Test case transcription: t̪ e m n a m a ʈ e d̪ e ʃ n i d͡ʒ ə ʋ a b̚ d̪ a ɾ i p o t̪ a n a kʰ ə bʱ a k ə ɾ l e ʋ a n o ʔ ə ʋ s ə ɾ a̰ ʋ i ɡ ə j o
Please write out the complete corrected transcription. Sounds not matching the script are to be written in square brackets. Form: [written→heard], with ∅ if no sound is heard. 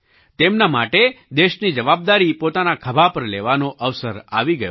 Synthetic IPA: t̪ e m n a m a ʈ e d̪ e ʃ n i d͡ʒ ə ʋ a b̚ d̪ a ɾ i p o t̪ a n a kʰ ə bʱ a [k→p] ə ɾ l e ʋ a n o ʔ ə ʋ s ə ɾ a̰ ʋ i ɡ ə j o

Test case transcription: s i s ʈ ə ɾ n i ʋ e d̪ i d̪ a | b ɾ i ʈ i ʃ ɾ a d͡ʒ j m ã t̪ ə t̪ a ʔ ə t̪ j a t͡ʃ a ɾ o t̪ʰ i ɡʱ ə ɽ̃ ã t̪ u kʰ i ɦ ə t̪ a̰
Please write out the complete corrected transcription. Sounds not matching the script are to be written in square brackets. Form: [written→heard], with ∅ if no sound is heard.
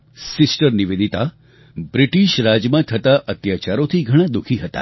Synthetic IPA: s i s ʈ ə ɾ n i ʋ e d̪ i [d̪→t̪] a | b ɾ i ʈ i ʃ ɾ a d͡ʒ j m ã [t̪→t̪ʰ] ə t̪ a ʔ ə t̪ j a t͡ʃ a ɾ o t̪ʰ i ɡʱ ə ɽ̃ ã [t̪→d̪] u kʰ i ɦ ə t̪ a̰

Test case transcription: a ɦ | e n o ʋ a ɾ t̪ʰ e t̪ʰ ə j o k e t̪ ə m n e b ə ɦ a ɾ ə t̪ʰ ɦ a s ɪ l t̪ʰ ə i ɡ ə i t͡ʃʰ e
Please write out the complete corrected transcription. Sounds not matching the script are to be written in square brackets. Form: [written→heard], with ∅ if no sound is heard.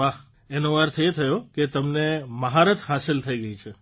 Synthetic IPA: a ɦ | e n o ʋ a ɾ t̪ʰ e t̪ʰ ə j o k e t̪ ə m n e [b→m] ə ɦ a ɾ ə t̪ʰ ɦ a s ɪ l t̪ʰ ə i ɡ ə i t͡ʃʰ e

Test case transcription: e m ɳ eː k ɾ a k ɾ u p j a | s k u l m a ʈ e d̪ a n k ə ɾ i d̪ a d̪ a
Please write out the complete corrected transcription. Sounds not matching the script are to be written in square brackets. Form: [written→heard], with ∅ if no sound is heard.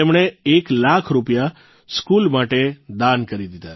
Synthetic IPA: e m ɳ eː k [ɾ→l] a [k→kʰ] ɾ u p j a | s k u l m a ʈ e d̪ a n k ə ɾ i d̪ [a→i] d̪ a

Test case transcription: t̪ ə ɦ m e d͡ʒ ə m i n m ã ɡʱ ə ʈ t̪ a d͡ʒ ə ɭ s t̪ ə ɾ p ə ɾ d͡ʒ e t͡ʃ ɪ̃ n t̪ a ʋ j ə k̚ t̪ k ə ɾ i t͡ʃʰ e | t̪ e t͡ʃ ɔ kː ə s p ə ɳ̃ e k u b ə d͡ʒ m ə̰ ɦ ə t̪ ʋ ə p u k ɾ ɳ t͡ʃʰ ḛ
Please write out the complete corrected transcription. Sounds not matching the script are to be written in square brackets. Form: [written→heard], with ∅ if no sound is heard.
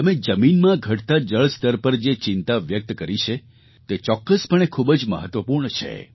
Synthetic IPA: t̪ ə [ɦ→∅] m e d͡ʒ ə m i n m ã ɡʱ ə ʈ t̪ a d͡ʒ ə ɭ s t̪ ə ɾ p ə ɾ d͡ʒ e t͡ʃ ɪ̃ n t̪ a ʋ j ə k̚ t̪ k ə ɾ i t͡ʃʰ e | t̪ e t͡ʃ ɔ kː ə s p ə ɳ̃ e [k→kʰ] u b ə d͡ʒ m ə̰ ɦ ə t̪ ʋ ə p u [k→∅] ɾ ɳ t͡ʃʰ ḛ

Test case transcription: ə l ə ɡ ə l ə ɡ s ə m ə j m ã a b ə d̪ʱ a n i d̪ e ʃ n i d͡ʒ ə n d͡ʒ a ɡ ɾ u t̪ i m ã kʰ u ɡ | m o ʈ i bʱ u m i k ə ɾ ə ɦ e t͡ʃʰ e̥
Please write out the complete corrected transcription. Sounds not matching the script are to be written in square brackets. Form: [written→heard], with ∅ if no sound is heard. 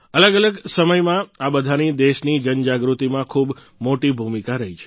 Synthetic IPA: ə l ə ɡ ə l ə ɡ s ə m ə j m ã a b ə d̪ʱ a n i d̪ e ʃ n i d͡ʒ ə n d͡ʒ a ɡ ɾ u t̪ i m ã kʰ u [ɡ→b] | m o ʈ i bʱ u m i k [ə→a] ɾ ə ɦ [e→i] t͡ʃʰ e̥

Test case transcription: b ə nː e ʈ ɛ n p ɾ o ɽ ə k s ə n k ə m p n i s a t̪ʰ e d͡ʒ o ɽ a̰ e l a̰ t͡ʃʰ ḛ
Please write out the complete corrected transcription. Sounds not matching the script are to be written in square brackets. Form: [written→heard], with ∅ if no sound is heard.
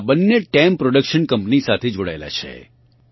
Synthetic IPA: b ə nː e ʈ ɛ [n→m] p ɾ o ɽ ə k [s→ʃ] ə n k ə m p n i s a t̪ʰ e d͡ʒ o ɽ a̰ e l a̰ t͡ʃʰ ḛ

